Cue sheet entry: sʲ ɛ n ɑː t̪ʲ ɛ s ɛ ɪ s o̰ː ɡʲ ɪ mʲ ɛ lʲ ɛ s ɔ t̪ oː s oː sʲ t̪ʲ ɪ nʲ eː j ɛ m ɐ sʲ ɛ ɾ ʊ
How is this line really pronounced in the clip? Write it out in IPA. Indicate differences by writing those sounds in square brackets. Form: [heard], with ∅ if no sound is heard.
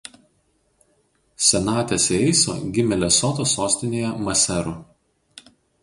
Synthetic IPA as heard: sʲ ɛ n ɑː t̪ʲ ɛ s ɛ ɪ s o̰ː ɡʲ ɪ mʲ ɛ lʲ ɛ s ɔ t̪ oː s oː sʲ t̪ʲ ɪ nʲ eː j ɛ m ɐ sʲ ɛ ɾ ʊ